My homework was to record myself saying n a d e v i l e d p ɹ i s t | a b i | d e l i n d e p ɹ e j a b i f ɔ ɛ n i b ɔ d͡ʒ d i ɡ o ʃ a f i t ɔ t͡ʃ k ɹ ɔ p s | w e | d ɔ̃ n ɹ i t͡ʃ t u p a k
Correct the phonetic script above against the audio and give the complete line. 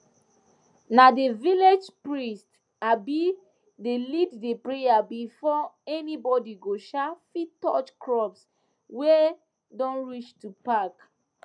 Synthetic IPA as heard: n a d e v i l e d͡ʒ p ɹ i s t | a b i | d e l i d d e p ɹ e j a b i f ɔ ɛ n i b ɔ d i ɡ o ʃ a f i t ɔ t͡ʃ k ɹ ɔ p s | w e | d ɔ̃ n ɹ i t͡ʃ t u p a k